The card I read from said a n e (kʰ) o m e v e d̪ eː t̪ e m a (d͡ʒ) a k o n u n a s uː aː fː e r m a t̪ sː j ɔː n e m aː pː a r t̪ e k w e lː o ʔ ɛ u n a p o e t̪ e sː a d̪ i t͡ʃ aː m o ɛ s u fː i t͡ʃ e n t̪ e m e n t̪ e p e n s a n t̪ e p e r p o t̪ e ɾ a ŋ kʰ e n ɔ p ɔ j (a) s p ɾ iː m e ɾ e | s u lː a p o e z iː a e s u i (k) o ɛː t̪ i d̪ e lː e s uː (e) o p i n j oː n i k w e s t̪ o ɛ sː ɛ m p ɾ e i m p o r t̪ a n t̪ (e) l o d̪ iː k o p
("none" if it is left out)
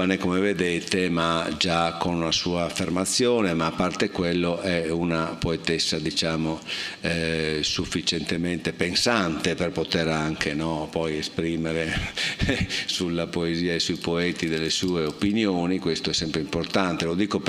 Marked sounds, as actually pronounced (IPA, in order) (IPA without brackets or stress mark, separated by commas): k, d͡ʒ, e, p, e, e